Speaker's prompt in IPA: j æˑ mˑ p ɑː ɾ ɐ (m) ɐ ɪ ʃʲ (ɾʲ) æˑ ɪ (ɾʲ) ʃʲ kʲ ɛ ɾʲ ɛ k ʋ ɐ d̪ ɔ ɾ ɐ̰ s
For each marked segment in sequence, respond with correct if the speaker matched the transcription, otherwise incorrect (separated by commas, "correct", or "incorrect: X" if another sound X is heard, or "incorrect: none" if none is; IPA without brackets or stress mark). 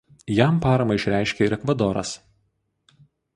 correct, correct, incorrect: none